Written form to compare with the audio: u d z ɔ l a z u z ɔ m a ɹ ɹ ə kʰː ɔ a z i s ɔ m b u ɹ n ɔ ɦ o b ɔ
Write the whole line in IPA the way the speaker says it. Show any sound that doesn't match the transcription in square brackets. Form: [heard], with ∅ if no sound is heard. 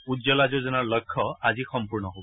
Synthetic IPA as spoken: u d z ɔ l a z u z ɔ [n] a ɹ [l] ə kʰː ɔ a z i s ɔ m [p] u ɹ n ɔ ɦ o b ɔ